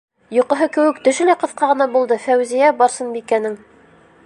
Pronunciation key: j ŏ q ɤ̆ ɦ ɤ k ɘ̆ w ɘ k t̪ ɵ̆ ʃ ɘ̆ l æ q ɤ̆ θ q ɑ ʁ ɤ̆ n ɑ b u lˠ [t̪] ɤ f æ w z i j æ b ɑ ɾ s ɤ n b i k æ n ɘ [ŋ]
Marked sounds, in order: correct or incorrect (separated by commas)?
incorrect, correct